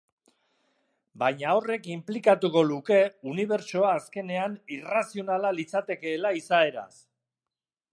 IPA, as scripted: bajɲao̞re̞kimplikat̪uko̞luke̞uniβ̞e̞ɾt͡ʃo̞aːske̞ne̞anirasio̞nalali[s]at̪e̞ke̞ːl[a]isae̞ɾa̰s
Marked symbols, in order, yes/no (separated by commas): no, yes